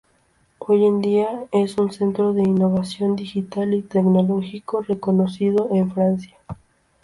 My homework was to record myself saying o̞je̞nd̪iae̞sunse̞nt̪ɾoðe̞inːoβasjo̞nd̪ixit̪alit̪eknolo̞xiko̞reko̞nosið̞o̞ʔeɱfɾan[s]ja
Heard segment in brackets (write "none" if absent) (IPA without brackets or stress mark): s